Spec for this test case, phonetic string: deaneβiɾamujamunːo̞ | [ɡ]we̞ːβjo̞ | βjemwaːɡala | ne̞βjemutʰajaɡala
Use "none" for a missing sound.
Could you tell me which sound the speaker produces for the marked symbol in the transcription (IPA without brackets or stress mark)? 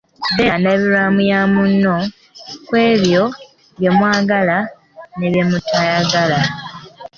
k